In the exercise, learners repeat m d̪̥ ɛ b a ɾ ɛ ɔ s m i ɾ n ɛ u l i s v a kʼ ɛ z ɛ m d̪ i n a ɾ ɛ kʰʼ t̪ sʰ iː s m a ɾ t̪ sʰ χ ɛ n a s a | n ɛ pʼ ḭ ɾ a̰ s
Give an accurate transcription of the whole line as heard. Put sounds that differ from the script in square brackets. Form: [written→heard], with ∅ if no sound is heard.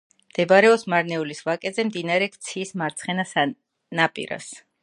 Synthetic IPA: m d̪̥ ɛ b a ɾ ɛ ɔ s m [i→a] ɾ n ɛ u l i s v a kʼ ɛ z ɛ m d̪ i n a ɾ ɛ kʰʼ t̪ sʰ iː s m a ɾ t̪ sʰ χ ɛ n a s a | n [ɛ→a] pʼ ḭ ɾ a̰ s